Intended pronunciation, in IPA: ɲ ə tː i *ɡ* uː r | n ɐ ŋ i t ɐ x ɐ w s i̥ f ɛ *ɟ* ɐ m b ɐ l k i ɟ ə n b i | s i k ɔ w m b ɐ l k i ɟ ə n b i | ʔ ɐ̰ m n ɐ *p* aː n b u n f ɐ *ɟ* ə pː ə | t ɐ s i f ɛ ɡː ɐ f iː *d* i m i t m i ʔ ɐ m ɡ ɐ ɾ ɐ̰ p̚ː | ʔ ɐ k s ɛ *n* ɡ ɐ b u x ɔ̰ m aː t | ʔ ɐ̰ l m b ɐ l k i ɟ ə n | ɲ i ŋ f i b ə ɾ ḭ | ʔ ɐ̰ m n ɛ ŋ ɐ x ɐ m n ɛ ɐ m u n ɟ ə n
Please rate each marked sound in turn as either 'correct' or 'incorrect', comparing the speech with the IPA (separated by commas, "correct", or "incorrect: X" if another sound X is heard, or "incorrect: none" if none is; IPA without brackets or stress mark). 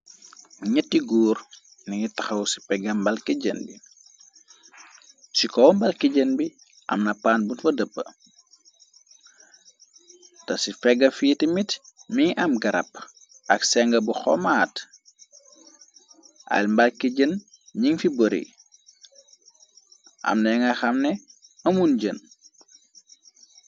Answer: correct, incorrect: ɡ, correct, incorrect: d, incorrect: t, incorrect: ŋ